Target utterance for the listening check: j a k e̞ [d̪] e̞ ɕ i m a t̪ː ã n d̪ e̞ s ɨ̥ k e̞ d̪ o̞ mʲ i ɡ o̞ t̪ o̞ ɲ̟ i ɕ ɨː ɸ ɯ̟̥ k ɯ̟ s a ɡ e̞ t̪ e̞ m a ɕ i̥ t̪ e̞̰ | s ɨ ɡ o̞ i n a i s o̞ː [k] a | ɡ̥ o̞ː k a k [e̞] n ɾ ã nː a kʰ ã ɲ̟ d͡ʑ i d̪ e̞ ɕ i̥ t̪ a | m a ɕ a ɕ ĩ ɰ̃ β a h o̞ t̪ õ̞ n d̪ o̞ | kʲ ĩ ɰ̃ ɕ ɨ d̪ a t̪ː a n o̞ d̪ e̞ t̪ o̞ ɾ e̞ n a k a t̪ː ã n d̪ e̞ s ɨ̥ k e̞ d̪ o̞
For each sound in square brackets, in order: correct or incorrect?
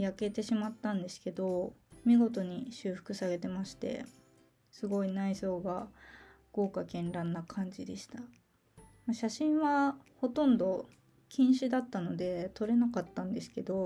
incorrect: t̪, incorrect: ɡ, incorrect: ẽ̞

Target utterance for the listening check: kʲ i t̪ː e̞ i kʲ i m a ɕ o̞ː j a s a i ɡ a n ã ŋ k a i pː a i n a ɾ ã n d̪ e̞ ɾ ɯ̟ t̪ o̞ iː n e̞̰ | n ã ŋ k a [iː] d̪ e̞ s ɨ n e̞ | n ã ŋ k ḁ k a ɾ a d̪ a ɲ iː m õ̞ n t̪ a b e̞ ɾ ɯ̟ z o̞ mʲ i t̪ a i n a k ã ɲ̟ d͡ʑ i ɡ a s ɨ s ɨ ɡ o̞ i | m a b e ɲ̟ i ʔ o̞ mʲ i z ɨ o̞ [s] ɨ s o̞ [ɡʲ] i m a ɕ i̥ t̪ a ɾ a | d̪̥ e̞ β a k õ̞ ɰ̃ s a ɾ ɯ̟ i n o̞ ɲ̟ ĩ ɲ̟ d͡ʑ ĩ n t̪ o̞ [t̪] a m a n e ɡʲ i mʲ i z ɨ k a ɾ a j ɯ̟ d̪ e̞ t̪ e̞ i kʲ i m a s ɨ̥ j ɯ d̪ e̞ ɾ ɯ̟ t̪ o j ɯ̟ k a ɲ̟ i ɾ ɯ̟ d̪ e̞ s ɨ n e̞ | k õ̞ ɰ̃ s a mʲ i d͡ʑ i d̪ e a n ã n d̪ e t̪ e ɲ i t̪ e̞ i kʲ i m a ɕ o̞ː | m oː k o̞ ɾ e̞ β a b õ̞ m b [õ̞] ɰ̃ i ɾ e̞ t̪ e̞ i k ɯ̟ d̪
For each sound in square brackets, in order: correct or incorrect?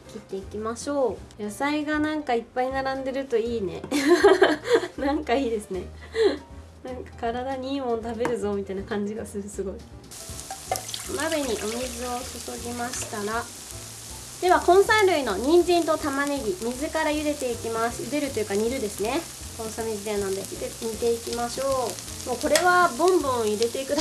correct, correct, correct, correct, correct

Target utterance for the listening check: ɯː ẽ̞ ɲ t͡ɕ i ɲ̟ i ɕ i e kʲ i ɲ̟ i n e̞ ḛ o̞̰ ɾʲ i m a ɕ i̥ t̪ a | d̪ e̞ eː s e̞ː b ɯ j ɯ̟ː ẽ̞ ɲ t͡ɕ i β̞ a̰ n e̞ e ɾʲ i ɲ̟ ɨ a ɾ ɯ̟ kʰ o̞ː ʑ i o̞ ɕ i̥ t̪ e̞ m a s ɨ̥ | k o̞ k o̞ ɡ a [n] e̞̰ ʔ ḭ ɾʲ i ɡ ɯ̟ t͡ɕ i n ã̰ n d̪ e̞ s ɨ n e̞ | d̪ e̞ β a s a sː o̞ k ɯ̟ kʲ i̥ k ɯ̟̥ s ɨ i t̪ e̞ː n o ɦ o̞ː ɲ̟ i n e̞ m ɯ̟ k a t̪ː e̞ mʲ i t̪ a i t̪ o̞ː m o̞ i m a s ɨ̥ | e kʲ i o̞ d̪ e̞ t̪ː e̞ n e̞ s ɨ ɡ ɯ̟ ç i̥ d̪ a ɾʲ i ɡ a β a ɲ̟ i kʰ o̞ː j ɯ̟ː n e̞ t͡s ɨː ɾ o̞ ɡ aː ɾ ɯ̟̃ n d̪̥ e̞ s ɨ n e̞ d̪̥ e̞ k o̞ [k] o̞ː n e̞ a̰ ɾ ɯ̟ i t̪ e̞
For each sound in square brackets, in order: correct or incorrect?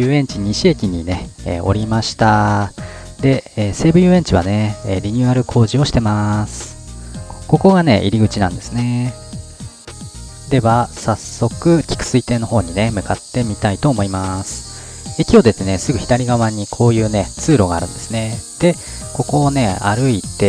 correct, correct

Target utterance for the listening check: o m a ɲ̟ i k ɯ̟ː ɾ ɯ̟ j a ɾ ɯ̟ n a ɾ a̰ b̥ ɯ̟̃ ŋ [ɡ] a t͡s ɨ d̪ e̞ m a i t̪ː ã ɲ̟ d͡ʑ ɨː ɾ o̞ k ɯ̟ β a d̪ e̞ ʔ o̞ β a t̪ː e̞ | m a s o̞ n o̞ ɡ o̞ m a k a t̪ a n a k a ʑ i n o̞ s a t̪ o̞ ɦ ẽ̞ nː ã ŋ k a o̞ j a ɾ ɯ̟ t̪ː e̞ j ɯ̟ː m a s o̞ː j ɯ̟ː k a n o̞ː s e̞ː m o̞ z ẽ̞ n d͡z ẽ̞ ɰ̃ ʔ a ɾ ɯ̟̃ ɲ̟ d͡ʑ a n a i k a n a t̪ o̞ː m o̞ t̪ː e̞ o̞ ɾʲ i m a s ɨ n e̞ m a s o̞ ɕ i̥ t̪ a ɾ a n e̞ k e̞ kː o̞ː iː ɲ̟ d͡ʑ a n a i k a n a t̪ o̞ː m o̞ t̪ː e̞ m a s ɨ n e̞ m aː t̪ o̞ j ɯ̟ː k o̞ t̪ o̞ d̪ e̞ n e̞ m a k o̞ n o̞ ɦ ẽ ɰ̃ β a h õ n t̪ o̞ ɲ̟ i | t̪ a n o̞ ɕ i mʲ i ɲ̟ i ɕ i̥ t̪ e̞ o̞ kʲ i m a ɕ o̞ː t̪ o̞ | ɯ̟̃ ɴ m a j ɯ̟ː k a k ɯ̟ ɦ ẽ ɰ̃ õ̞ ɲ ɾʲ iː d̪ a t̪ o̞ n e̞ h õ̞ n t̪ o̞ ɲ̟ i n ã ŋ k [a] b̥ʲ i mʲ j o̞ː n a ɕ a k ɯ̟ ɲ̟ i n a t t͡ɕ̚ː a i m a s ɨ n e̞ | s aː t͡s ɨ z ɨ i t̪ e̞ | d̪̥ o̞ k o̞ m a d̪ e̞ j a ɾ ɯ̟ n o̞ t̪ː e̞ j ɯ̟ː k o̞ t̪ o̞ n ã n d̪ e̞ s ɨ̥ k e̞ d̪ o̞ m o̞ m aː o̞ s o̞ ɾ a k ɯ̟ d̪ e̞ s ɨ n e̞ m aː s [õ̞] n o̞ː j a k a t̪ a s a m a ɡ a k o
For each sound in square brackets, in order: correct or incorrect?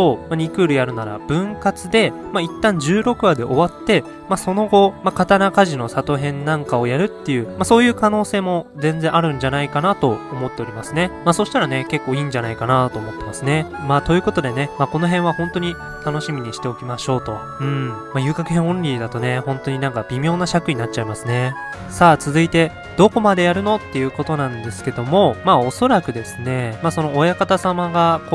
incorrect: k, correct, incorrect: o̞

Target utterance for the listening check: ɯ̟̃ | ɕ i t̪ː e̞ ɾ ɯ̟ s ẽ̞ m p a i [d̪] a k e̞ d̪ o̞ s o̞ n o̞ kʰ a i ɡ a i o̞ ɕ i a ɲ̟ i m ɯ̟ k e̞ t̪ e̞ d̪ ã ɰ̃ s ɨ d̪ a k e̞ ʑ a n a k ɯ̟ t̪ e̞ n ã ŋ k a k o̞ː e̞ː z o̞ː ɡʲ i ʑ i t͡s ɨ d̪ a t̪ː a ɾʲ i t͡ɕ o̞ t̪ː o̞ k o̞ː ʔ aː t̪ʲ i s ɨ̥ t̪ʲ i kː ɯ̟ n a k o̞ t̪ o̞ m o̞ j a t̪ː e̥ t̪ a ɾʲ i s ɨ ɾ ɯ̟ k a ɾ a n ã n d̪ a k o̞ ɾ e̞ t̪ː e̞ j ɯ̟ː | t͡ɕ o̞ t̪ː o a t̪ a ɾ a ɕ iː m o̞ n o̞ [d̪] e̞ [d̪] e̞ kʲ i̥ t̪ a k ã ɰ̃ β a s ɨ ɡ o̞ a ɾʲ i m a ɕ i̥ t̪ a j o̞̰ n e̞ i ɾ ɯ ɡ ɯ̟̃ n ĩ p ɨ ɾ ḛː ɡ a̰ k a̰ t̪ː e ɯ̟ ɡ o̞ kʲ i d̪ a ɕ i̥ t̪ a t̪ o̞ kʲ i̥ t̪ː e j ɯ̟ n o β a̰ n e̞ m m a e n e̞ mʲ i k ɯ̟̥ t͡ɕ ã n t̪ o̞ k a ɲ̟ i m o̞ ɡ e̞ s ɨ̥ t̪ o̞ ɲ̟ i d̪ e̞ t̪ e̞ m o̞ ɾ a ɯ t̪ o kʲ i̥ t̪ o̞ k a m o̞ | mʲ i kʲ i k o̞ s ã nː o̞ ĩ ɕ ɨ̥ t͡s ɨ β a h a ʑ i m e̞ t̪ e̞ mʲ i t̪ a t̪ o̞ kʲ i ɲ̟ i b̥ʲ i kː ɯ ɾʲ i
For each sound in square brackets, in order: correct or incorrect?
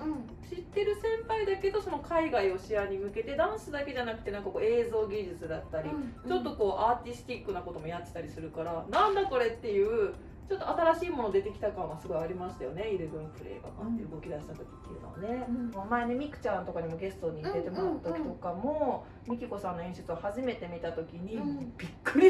correct, correct, incorrect: t̪

